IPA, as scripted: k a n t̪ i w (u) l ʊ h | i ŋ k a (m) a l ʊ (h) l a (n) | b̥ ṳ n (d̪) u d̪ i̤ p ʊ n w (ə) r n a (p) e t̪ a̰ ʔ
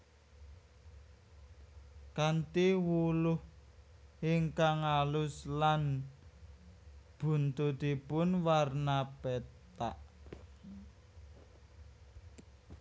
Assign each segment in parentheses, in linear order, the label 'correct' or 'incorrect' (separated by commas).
correct, incorrect, incorrect, correct, incorrect, incorrect, correct